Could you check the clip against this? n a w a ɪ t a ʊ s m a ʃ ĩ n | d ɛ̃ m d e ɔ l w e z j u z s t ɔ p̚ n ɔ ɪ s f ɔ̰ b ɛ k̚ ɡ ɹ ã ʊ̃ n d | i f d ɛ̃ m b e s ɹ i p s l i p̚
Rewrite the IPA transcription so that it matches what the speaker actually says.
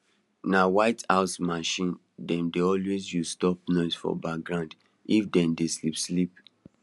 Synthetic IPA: n a w a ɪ t a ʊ s m a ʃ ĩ n | d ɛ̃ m d e ɔ l w e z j u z s t ɔ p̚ n ɔ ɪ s f ɔ̰ b a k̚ ɡ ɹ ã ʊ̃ n d | i f d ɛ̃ m d e s l i p s l i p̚